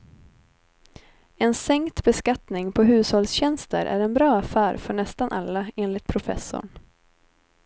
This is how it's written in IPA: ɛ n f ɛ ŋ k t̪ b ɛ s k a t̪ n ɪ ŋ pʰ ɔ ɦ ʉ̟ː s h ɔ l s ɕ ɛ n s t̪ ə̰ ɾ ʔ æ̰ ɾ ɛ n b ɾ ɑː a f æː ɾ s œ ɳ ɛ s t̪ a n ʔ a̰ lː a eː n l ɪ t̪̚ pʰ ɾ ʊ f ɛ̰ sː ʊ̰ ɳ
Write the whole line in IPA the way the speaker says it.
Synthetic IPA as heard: ɛ n s ɛ ŋ k t̪ b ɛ s k a t̪ n ɪ ŋ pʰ ɔ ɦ ʉ̟ː s h ɔ l s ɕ ɛ n s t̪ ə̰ ɾ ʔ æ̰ ɾ ɛ n b ɾ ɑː a f æː ɾ f œ ɳ ɛ s t̪ a n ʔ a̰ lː a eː n l ɪ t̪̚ pʰ ɾ ʊ f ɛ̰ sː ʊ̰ ɳ